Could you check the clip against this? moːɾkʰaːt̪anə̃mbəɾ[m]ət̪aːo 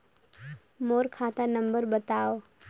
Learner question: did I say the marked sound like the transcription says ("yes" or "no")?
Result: no